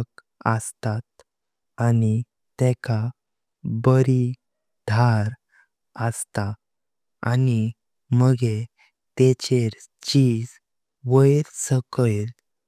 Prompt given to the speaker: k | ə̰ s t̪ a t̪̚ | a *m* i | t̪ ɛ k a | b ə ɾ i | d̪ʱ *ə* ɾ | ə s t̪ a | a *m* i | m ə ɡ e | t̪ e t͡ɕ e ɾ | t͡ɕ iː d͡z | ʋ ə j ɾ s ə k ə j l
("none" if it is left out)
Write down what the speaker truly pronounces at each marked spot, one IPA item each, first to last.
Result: n, a, n

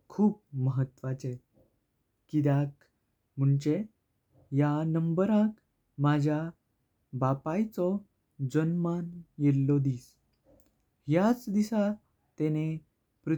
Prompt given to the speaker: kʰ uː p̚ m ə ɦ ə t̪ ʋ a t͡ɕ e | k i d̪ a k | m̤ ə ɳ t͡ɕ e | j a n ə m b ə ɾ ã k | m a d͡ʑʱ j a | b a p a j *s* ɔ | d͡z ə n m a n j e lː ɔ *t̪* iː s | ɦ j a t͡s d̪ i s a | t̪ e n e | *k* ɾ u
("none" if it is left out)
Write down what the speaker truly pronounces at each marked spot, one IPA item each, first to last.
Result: t͡s, d̪, p

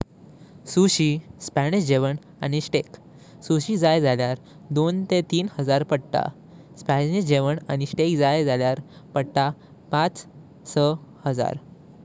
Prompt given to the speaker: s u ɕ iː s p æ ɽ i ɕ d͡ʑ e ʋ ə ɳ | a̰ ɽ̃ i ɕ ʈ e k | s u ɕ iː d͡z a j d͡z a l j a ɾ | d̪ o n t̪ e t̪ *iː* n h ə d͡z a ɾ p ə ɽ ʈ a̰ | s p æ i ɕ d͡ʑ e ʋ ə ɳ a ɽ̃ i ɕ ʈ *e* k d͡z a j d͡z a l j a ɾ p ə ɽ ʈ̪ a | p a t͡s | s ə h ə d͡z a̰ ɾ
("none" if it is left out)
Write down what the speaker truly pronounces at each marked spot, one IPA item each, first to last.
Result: iː, e

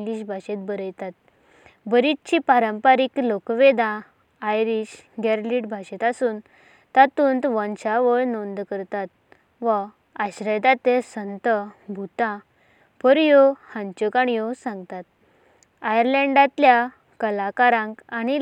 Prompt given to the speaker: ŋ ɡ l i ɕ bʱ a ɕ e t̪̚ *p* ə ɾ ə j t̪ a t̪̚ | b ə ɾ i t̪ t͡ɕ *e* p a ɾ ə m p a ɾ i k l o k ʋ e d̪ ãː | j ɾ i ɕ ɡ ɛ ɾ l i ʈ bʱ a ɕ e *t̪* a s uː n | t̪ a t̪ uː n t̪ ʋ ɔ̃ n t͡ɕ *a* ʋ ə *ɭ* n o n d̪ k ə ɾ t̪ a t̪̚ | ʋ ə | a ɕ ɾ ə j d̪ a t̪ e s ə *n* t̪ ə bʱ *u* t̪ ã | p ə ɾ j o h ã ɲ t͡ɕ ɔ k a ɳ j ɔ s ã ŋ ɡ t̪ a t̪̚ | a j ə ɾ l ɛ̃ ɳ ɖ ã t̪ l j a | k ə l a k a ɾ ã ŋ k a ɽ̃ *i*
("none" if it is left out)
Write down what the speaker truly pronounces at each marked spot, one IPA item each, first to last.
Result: b, i, t̪, a, ɭ, n, u, i

